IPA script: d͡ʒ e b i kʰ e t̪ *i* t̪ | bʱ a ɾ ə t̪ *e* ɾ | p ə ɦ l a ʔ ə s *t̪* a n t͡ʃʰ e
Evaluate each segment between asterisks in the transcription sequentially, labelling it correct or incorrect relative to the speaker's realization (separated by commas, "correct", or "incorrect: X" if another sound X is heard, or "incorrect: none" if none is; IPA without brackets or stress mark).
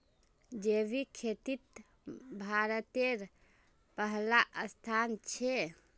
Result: correct, correct, incorrect: t̪ʰ